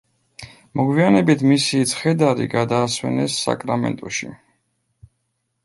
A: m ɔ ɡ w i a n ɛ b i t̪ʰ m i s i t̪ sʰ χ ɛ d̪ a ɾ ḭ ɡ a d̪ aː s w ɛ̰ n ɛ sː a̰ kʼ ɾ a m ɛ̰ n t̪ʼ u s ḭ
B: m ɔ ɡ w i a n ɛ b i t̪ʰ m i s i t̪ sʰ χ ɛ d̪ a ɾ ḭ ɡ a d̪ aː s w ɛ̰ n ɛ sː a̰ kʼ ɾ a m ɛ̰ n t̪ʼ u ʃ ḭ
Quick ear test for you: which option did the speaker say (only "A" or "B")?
B